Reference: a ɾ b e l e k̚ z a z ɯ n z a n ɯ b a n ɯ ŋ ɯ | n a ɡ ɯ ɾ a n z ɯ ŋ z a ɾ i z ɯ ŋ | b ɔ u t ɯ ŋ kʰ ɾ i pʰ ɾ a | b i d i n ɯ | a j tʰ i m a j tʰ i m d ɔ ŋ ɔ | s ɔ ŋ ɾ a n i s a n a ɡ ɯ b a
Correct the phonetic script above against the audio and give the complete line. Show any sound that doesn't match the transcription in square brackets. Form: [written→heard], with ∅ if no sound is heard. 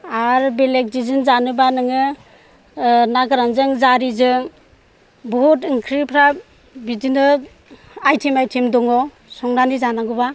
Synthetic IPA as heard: a ɾ b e l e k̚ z [a→i] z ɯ n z a n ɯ b a n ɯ ŋ ɯ | n a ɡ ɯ ɾ a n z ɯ ŋ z a ɾ i z ɯ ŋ | b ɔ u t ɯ ŋ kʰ ɾ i pʰ ɾ a | b i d i n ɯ | a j tʰ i m a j tʰ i m d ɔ ŋ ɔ | s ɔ ŋ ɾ a n i [s→z] a n a ɡ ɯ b a